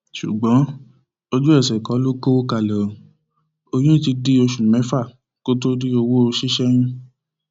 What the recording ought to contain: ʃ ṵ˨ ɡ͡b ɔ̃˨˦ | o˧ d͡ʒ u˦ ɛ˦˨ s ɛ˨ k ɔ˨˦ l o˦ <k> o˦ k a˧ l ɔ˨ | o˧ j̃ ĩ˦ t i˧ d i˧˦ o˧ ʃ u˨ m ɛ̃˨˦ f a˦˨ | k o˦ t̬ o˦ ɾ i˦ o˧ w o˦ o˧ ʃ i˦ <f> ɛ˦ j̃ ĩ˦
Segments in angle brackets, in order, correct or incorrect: correct, incorrect

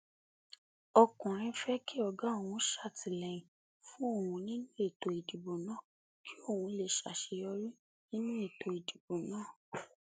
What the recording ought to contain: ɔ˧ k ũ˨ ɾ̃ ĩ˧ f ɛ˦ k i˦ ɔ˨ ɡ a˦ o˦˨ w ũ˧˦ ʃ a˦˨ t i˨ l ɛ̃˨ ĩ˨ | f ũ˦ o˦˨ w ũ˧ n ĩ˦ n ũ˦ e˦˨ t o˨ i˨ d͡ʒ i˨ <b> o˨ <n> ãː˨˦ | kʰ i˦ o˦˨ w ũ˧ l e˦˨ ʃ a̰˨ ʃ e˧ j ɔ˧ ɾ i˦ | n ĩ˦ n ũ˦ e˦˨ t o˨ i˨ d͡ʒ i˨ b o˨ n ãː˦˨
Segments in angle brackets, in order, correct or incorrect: correct, correct

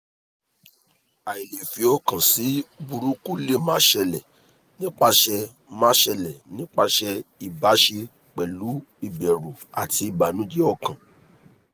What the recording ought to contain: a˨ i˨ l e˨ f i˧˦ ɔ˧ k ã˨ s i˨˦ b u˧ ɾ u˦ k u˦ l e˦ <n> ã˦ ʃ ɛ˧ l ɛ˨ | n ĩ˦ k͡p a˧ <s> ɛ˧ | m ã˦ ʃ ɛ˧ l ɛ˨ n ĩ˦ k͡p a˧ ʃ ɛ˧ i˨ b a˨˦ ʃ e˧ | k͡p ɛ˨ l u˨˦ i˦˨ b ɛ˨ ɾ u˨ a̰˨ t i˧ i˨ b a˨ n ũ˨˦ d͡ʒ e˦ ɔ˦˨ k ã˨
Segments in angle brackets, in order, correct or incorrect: incorrect, incorrect

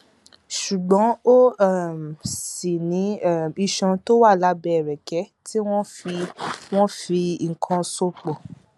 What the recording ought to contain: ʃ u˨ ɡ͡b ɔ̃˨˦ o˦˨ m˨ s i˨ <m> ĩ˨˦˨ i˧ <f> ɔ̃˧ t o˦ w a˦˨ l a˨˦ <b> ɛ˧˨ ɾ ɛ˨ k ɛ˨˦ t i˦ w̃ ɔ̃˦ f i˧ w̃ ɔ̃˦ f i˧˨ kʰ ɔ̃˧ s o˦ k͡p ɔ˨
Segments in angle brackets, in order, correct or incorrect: incorrect, incorrect, correct

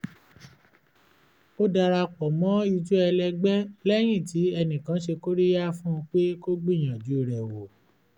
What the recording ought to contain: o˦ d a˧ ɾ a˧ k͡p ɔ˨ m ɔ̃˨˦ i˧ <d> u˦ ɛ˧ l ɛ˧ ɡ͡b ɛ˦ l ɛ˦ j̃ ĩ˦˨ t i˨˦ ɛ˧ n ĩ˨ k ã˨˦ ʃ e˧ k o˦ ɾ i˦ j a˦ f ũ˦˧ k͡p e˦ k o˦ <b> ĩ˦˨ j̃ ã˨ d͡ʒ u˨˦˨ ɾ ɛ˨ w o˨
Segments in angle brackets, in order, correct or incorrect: incorrect, incorrect

